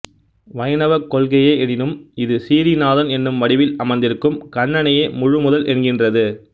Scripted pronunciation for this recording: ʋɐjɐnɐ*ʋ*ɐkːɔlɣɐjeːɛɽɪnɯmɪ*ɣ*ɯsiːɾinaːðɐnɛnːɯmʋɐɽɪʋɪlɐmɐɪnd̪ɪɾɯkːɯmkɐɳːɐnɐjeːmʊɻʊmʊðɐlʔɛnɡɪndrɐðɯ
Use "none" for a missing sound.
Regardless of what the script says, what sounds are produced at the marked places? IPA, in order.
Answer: ʋ, ð

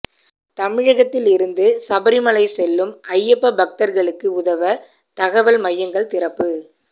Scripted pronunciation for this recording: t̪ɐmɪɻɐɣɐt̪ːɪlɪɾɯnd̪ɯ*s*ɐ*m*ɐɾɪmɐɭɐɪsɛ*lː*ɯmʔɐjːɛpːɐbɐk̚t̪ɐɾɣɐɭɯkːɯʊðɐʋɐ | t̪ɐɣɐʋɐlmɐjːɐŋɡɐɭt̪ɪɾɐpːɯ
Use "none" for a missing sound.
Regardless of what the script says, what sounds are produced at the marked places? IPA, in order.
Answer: s, b, lː

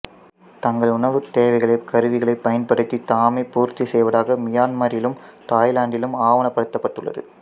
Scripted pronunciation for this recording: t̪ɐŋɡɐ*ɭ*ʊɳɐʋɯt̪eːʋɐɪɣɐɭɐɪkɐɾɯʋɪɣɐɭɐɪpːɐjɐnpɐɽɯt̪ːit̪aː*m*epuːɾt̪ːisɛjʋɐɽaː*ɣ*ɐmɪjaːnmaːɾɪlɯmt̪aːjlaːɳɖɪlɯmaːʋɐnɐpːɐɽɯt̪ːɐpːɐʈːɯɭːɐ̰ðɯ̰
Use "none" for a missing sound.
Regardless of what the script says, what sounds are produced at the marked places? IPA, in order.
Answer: ɭ, m, ɣ

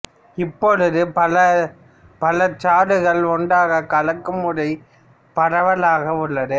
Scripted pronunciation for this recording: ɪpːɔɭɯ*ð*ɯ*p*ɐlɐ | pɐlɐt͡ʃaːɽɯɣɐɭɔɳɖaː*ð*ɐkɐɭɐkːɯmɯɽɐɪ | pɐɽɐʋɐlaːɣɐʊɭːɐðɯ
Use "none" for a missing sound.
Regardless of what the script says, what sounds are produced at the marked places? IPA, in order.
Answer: ð, p, ɣ

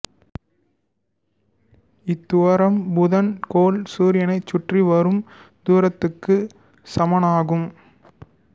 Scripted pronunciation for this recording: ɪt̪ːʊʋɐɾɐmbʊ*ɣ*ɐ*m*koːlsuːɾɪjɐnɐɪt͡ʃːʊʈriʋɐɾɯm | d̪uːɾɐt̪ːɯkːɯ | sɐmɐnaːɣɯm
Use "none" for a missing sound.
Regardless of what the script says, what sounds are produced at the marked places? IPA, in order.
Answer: ð, n

